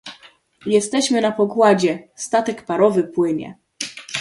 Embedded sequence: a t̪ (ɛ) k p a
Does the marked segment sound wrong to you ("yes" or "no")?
no